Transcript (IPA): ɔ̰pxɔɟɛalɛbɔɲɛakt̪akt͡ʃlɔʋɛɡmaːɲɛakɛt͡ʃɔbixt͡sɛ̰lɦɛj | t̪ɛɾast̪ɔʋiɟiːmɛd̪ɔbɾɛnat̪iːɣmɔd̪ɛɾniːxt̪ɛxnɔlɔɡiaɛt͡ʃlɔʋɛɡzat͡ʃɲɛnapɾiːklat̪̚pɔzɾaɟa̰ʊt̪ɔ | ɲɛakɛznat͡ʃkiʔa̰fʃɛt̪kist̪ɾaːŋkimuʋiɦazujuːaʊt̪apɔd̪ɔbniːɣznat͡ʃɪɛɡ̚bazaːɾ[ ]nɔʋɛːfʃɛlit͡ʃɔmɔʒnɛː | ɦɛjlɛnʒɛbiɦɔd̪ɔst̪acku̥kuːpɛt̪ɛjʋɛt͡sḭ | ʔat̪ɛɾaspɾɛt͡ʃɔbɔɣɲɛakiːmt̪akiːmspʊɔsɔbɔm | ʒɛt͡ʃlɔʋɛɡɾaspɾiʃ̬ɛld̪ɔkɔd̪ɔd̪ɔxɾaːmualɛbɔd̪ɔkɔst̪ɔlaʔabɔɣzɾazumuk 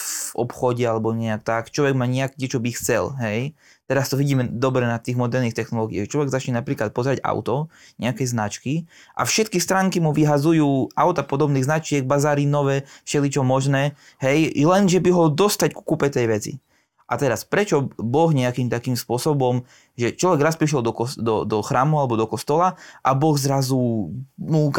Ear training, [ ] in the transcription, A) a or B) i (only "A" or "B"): B